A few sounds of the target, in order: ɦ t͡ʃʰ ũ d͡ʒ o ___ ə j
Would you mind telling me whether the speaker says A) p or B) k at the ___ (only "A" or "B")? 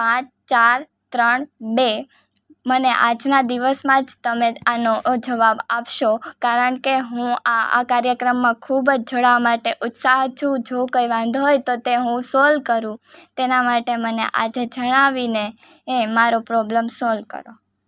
B